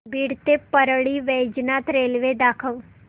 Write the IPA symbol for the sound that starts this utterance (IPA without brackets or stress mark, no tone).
b